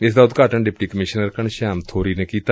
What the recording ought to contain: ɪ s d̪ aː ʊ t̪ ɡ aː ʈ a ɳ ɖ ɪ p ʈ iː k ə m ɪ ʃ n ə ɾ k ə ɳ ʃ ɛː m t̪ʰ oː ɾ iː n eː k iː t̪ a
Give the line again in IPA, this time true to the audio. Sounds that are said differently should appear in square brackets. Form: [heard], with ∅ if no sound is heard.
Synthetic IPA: ɪ s d̪ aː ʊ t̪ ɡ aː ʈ [ə] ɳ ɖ ɪ p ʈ iː k ə m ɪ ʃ n ə ɾ k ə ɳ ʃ [aː] m t̪ʰ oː ɾ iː n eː k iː t̪ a